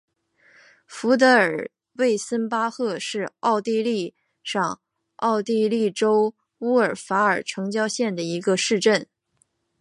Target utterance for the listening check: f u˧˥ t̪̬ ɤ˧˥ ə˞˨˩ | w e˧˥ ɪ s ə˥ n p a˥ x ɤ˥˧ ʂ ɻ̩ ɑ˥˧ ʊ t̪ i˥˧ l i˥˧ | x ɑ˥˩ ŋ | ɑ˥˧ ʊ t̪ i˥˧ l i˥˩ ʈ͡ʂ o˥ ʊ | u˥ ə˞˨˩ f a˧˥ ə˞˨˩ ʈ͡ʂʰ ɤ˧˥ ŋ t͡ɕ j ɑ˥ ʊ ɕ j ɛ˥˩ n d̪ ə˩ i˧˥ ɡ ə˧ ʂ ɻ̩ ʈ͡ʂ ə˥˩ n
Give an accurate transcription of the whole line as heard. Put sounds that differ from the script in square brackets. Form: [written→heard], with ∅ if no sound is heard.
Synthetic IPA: f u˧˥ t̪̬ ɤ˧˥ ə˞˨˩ | w [e˧˥→e˥˩] ɪ s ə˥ n p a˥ x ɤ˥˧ ʂ ɻ̩ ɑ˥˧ ʊ t̪ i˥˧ l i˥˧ | [x→ʂ] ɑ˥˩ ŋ | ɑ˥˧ ʊ t̪ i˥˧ l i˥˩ ʈ͡ʂ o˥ ʊ | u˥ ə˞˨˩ f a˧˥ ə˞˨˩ ʈ͡ʂʰ ɤ˧˥ ŋ t͡ɕ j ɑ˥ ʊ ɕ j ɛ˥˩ n d̪ ə˩ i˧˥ ɡ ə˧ ʂ ɻ̩ ʈ͡ʂ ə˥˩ n